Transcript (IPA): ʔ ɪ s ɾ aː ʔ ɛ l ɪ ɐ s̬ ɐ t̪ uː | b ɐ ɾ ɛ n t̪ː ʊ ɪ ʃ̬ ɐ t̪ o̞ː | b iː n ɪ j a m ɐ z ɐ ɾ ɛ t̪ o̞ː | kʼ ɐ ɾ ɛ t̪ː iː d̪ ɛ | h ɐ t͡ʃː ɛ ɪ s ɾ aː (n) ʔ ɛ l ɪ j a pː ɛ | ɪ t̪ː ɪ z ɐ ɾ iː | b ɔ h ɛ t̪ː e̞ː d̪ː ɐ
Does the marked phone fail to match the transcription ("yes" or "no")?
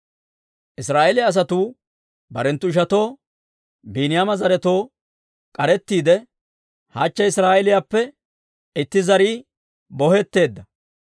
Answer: yes